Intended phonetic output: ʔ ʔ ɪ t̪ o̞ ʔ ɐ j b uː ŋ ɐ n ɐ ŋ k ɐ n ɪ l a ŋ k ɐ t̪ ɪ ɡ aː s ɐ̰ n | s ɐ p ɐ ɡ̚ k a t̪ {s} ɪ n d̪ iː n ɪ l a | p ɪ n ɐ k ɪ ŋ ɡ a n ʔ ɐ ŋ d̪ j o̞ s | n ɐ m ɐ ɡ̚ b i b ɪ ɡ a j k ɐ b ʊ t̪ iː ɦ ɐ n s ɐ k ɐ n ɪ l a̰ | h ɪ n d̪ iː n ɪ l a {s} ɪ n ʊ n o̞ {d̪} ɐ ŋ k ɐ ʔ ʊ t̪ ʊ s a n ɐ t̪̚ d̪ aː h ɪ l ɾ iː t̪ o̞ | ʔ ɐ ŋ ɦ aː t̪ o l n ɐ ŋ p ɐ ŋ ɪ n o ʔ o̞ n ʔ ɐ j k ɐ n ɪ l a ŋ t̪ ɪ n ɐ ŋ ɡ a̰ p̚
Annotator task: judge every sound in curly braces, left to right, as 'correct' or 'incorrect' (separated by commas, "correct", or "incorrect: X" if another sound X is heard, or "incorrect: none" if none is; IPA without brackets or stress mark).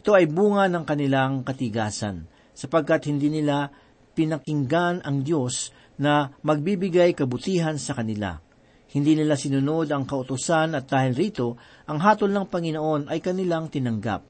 incorrect: h, correct, correct